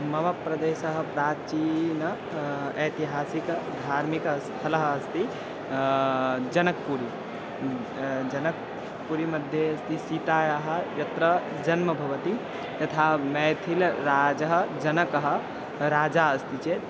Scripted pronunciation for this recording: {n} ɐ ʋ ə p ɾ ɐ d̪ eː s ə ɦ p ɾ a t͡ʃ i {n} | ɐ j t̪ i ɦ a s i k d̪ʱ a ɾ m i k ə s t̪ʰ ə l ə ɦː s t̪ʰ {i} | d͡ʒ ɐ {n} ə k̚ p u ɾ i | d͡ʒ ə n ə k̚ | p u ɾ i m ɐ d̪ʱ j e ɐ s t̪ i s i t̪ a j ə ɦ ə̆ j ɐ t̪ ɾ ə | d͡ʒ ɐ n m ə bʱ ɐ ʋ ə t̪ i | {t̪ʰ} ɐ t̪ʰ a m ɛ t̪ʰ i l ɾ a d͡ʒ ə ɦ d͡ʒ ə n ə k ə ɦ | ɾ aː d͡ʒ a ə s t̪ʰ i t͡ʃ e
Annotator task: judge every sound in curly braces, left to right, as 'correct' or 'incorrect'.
incorrect: m, correct, correct, correct, incorrect: t̪

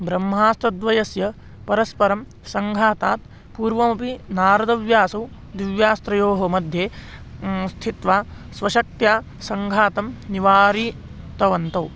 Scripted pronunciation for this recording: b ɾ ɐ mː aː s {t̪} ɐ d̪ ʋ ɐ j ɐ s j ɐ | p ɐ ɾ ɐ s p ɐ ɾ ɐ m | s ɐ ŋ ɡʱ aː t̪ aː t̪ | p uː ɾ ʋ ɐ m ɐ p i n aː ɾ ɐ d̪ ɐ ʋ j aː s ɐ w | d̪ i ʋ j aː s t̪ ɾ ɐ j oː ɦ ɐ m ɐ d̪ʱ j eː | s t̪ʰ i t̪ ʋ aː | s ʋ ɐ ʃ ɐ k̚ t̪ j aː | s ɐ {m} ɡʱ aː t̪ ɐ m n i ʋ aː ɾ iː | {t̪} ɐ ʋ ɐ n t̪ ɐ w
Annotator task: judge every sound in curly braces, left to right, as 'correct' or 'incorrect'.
correct, incorrect: ŋ, correct

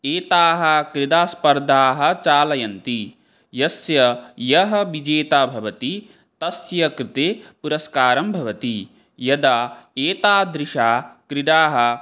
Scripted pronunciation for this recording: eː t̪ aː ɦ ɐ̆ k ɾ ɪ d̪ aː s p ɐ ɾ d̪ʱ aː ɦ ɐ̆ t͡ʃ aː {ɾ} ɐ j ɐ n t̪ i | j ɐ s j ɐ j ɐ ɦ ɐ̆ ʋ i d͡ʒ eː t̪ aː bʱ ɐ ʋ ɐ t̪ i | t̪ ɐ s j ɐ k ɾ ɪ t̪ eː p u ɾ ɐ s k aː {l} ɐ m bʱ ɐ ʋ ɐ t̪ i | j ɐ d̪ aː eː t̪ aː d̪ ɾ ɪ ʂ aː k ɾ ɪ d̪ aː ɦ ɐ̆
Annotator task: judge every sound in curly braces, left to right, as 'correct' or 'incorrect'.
incorrect: l, incorrect: ɾ

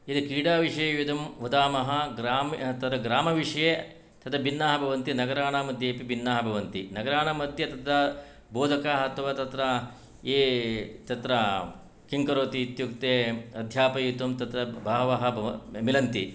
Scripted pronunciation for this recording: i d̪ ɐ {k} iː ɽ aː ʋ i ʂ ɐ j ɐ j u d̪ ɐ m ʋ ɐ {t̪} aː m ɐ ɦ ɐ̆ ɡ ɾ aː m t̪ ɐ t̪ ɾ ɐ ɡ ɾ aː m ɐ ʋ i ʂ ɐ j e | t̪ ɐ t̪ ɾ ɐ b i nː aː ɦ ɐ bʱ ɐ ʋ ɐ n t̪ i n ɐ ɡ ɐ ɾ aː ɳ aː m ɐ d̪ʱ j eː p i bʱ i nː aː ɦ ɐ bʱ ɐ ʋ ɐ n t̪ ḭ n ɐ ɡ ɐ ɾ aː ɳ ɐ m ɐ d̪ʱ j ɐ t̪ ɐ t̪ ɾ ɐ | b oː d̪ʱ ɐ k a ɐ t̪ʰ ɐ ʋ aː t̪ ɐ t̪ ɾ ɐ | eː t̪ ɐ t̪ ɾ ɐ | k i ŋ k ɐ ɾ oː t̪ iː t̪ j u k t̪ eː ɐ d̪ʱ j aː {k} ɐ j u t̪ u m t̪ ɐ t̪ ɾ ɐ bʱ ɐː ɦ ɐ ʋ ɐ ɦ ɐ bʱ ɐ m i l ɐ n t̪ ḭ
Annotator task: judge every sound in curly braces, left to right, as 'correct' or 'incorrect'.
correct, incorrect: d̪, incorrect: p

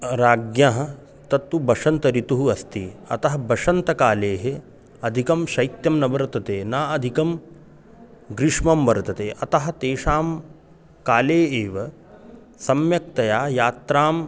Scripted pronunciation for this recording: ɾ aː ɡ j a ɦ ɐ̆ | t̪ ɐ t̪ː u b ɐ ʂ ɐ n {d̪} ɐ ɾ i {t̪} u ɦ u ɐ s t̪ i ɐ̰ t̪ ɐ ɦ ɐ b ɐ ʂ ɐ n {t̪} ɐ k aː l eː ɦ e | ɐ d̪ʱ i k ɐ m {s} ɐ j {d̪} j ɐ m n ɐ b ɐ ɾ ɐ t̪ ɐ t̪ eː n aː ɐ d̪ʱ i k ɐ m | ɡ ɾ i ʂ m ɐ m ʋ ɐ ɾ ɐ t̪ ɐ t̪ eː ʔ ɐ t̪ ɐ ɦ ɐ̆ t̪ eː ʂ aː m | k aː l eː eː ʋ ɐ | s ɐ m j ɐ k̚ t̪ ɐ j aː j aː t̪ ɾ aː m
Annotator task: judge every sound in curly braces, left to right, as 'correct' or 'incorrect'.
incorrect: t̪, correct, correct, incorrect: ʃ, incorrect: t̪

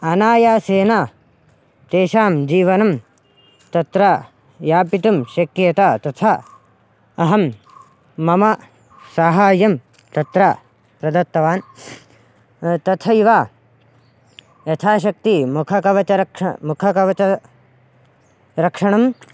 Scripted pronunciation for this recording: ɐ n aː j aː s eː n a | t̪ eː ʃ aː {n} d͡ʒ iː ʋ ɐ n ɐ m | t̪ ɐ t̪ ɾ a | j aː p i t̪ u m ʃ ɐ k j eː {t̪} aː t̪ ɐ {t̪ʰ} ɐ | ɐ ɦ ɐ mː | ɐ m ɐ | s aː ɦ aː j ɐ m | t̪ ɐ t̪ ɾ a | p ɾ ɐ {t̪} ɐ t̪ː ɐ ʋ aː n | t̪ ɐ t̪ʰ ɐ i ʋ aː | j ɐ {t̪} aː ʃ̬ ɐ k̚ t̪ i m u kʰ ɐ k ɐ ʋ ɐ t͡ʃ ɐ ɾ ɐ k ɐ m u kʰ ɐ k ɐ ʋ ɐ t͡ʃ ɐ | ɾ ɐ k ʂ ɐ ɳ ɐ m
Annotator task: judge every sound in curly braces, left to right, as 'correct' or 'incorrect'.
incorrect: m, correct, correct, incorrect: d̪, incorrect: t̪ʰ

